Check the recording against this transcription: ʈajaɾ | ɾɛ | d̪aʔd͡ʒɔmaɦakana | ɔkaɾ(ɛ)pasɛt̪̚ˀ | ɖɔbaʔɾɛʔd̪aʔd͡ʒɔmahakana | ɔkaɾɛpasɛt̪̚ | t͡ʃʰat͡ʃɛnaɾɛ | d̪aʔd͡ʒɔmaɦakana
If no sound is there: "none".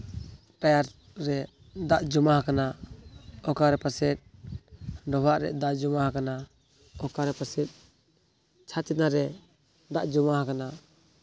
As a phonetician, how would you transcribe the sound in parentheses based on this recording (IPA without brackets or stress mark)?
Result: ɛ